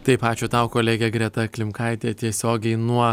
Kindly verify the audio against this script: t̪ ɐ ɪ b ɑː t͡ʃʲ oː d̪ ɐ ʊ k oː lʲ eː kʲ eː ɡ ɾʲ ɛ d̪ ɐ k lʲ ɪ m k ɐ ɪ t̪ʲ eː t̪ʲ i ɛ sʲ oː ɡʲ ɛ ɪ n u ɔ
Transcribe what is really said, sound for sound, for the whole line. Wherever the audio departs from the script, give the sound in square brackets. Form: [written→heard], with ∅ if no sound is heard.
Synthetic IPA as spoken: t̪ ɐ ɪ [b→p] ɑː t͡ʃʲ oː [d̪→t̪] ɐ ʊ k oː lʲ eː [kʲ→ɡʲ] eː ɡ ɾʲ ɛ [d̪→t̪] ɐ k lʲ ɪ m k ɐ ɪ t̪ʲ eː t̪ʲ i ɛ sʲ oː ɡʲ ɛ ɪ n u ɔ